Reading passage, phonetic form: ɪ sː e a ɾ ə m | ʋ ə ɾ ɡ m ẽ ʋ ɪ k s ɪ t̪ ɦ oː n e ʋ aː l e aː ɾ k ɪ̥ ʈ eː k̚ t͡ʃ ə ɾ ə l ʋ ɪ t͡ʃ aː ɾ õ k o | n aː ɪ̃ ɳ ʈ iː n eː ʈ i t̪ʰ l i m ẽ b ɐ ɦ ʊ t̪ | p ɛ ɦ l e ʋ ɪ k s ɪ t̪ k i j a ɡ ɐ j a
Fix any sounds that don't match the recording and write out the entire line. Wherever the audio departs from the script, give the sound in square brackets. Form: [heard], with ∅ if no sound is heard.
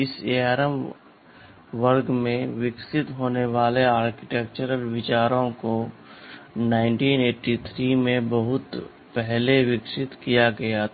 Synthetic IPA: ɪ [s] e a ɾ ə m | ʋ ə ɾ ɡ m ẽ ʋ ɪ k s ɪ t̪ ɦ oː n e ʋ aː l e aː ɾ k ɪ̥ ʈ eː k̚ t͡ʃ ə ɾ ə l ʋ ɪ t͡ʃ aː ɾ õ k o | n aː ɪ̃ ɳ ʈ iː n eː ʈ i t̪ʰ [ɾ] i m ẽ b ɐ ɦ ʊ t̪ | p ɛ ɦ l e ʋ ɪ k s ɪ t̪ k i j a ɡ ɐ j a